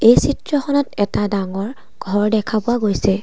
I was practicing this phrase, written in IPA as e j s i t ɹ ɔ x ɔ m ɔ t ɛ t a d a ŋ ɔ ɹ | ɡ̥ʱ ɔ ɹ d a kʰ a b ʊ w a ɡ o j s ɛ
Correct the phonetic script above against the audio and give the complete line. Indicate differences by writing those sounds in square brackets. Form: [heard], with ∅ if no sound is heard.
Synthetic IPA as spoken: e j s i t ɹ ɔ x ɔ [n] ɔ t ɛ t a d a ŋ ɔ ɹ | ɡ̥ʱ ɔ ɹ d [ɛ] kʰ a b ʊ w a ɡ o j s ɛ